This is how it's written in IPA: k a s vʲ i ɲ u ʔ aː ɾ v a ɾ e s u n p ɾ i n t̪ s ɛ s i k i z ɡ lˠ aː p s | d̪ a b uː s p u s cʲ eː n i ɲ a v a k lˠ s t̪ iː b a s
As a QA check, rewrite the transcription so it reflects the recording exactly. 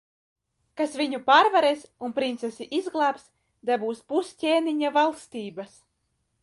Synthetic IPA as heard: k a s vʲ i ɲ u p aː ɾ v a ɾ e s u n p ɾ i n t̪ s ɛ s i ʔ i z ɡ lˠ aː p s | d̪ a b uː s p u s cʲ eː n i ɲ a v a lˠ s t̪ iː b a s